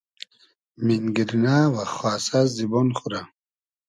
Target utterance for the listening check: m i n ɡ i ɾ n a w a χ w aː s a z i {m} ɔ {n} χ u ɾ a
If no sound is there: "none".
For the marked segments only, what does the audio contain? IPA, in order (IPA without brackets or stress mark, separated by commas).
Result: b, n